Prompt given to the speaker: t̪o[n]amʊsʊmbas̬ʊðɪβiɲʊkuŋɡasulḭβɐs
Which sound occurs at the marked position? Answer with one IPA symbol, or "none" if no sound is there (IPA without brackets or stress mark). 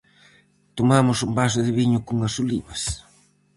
m